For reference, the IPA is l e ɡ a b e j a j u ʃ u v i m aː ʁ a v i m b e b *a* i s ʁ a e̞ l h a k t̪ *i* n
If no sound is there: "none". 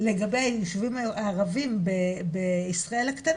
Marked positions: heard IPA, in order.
e, a

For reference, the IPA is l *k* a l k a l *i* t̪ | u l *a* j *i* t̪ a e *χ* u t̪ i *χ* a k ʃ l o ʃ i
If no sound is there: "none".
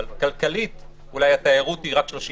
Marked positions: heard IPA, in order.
k, i, a, a, ʁ, ʁ

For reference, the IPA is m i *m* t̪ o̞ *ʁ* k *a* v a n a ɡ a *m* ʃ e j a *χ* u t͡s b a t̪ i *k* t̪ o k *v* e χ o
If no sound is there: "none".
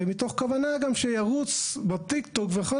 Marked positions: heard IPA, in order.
none, χ, a, m, ʁ, k, v

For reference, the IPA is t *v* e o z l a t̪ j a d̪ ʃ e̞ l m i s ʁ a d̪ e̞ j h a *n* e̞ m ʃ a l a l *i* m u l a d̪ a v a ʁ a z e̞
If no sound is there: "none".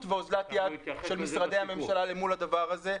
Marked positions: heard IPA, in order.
v, m, e

